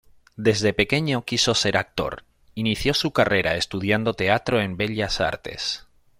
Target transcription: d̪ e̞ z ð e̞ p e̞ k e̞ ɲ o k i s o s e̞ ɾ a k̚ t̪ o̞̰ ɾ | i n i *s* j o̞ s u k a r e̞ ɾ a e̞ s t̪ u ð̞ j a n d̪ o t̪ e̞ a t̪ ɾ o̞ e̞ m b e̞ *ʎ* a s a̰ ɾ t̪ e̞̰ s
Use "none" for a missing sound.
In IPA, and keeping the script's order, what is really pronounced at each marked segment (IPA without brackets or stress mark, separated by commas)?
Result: θ, ʎ